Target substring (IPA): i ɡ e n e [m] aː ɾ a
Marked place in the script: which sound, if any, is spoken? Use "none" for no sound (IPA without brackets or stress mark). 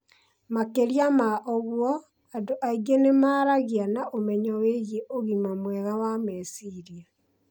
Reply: m